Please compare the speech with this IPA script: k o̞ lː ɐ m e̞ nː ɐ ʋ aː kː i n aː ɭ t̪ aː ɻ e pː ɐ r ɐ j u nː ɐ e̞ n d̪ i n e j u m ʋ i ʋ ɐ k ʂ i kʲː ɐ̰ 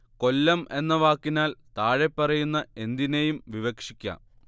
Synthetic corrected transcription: k o̞ lː ɐ m e̞ nː ɐ ʋ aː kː i n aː l t̪ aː ɻ e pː ɐ r ɐ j u nː ɐ e̞ n d̪ i n e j u m ʋ i ʋ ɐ k ʂ i kʲː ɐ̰

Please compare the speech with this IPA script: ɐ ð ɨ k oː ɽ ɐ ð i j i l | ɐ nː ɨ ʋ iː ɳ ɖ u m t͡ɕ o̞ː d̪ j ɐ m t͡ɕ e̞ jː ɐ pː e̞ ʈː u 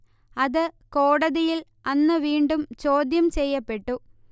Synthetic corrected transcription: ɐ ð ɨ k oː ɽ ɐ ð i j i l | ɐ nː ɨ ʋ iː ɳ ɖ u m t͡ɕ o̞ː d̪ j ɐ m t͡ɕ e̞ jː ɐ pː e̞ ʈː u

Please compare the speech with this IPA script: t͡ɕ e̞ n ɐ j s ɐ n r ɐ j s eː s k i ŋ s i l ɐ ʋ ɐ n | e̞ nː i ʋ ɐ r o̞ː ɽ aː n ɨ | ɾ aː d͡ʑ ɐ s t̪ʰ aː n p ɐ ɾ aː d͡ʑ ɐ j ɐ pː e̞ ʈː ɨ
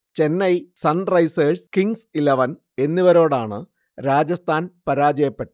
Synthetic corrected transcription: t͡ɕ e̞ nː ɐ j s ɐ n r ɐ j s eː s k i ŋ s i l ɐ ʋ ɐ n | e̞ nː i ʋ ɐ ɾ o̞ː ɽ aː ɳ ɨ | ɾ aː d͡ʑ ɐ s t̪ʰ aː n p ɐ ɾ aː d͡ʑ ɐ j ɐ pː e̞ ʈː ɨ

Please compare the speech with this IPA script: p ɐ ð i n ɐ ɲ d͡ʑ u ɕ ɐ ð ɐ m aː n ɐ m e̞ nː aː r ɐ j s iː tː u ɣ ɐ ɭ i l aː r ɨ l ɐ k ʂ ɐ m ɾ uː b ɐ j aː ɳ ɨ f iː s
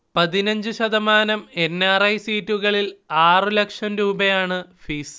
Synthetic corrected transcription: p ɐ ð i n ɐ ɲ d͡ʑ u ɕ ɐ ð ɐ m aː n ɐ m e̞ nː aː r ɐ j s iː tː u ɣ ɐ ɭ i l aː r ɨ l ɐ k ʂ ɐ m ɾ uː b ɐ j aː ɳ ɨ f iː s

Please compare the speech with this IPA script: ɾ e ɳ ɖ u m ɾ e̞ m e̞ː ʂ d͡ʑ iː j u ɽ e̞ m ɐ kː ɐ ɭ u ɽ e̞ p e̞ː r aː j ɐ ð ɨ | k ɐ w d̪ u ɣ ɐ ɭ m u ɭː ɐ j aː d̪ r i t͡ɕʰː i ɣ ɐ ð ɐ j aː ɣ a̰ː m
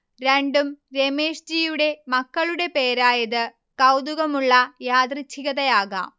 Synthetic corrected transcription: ɾ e ɳ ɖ u m ɾ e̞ m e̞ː ʂ d͡ʑ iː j u ɽ e̞ m ɐ kː ɐ ɭ u ɽ e̞ p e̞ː ɾ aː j ɐ ð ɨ | k ɐ w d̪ u ɣ ɐ m u ɭː ɐ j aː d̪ r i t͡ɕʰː i ɣ ɐ ð ɐ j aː ɣ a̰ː m

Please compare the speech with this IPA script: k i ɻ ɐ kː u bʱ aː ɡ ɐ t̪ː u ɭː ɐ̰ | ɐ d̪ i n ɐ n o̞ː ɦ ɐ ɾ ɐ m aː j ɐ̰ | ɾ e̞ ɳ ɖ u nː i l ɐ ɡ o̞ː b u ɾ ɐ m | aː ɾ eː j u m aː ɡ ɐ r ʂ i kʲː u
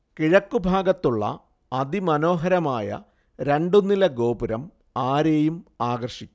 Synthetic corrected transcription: k i ɻ ɐ kː u bʱ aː ɡ ɐ t̪ː u ɭː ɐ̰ | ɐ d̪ i m ɐ n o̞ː ɦ ɐ ɾ ɐ m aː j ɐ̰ | ɾ e̞ ɳ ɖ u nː i l ɐ ɡ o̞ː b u ɾ ɐ m | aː ɾ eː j u m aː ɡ ɐ r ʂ i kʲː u

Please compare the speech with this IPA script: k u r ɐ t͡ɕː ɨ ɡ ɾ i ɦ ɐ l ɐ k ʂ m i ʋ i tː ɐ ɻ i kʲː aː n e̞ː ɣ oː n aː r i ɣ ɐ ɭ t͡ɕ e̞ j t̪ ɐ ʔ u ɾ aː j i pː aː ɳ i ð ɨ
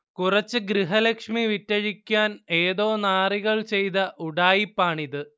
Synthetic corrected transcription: k u r ɐ t͡ɕː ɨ ɡ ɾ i ɦ ɐ l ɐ k ʂ m i ʋ i tː ɐ ɻ i kʲː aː n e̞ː ð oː n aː r i ɣ ɐ ɭ t͡ɕ e̞ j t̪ ɐ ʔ u ɽ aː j i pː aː ɳ i ð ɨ

